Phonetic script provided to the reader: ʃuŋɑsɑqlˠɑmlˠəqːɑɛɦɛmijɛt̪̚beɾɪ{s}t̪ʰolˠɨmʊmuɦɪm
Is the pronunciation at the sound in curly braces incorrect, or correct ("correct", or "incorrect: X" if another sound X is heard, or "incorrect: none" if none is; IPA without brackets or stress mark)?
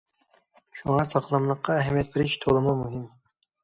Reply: incorrect: ʃ